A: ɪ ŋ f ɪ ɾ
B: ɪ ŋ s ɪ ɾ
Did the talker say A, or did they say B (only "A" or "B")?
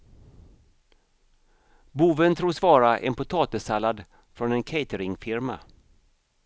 A